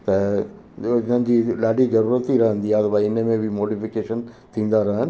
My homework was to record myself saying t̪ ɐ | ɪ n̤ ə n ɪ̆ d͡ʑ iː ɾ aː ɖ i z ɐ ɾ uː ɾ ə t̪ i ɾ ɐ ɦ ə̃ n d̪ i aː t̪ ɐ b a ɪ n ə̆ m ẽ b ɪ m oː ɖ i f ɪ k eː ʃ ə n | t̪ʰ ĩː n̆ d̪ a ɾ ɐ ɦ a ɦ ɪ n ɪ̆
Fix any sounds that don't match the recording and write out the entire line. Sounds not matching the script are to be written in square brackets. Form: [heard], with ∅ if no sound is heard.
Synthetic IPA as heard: t̪ ɐ | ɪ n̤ ə n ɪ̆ d͡ʑ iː [l] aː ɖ i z ɐ ɾ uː ɾ ə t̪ i ɾ ɐ ɦ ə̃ n d̪ i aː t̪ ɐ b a ɪ n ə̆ m ẽ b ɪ m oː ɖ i f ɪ k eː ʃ ə n | t̪ʰ ĩː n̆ d̪ a ɾ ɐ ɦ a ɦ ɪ n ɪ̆